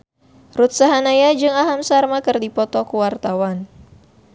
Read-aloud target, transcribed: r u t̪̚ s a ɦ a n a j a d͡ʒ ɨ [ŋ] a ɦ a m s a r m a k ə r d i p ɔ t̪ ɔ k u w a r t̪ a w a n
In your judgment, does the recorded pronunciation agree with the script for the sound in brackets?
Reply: yes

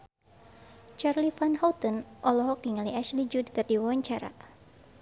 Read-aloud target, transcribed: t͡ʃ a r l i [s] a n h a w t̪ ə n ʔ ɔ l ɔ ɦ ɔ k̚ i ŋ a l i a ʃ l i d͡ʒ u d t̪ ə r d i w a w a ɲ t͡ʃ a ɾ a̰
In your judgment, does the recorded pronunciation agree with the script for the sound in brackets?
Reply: no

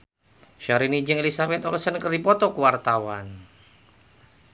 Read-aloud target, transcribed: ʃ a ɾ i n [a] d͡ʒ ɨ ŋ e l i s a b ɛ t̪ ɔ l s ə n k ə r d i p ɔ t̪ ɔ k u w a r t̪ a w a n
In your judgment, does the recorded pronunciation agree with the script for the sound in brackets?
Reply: no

